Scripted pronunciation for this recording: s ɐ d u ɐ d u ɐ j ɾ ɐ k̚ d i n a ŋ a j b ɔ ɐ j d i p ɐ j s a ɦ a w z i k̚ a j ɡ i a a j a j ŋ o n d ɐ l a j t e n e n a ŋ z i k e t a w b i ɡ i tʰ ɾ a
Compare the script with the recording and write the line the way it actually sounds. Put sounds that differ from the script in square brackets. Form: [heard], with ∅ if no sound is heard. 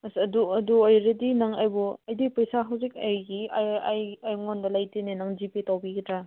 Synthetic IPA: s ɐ d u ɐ d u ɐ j ɾ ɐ [∅] d i n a ŋ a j b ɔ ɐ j d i p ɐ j s a ɦ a w z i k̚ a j ɡ i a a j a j ŋ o n d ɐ l a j t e n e n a ŋ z i [p] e t a w b i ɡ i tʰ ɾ a